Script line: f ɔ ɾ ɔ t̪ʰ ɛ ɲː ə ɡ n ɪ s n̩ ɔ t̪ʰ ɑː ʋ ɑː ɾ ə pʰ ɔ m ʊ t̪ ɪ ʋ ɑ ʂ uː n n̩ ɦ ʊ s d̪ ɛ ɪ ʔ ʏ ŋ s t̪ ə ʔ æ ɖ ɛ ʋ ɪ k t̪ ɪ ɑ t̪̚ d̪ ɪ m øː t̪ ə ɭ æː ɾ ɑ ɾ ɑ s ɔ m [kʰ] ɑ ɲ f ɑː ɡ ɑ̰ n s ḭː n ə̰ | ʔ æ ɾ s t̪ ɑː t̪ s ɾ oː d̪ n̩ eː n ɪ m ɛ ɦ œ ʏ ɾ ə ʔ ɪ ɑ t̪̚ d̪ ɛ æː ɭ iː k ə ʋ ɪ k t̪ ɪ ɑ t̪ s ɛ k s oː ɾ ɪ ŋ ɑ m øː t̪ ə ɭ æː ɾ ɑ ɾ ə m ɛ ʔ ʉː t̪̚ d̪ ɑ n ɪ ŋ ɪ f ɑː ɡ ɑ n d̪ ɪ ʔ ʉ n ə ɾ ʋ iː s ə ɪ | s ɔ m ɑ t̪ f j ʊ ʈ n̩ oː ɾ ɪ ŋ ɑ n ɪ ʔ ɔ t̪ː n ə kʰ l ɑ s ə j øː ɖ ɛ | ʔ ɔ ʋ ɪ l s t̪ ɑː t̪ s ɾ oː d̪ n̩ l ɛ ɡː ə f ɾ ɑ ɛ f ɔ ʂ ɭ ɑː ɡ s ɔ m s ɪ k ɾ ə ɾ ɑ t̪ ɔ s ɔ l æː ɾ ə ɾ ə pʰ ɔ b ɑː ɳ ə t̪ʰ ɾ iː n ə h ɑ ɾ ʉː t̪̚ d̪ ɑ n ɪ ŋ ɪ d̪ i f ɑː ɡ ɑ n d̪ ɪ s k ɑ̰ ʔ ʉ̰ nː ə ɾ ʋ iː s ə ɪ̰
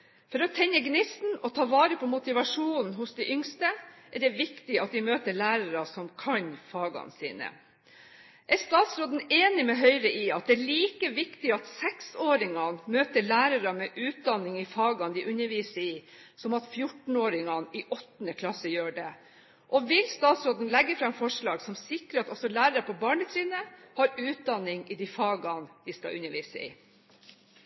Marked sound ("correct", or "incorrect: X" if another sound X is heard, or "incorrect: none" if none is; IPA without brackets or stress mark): correct